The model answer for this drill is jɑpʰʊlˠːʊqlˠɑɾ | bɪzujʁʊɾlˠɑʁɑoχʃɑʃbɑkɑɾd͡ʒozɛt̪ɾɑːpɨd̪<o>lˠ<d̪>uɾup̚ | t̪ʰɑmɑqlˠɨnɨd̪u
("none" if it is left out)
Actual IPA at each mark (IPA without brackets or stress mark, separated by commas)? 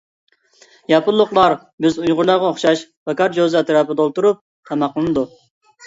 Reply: o, t̪